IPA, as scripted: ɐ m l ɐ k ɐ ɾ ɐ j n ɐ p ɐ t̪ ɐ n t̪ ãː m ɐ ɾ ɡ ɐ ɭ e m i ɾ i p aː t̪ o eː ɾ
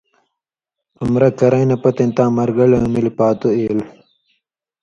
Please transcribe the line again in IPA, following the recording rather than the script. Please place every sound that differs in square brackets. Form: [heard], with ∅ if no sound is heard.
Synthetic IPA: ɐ m [ɾ] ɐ k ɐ ɾ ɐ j n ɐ p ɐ t̪ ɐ n t̪ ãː m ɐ ɾ ɡ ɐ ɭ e m i [l] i p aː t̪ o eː [l]

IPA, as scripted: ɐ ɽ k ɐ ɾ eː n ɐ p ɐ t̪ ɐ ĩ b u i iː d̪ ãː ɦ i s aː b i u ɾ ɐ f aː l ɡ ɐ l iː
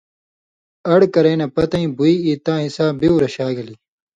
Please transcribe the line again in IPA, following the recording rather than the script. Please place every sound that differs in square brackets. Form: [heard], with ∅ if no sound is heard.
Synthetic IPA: ɐ ɽ k ɐ ɾ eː n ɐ p ɐ t̪ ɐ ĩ b u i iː [t̪] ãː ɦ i s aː b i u ɾ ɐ [ɕ] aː [∅] ɡ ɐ l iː

